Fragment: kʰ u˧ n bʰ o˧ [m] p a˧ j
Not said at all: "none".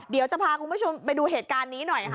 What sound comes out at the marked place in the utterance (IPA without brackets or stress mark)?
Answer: m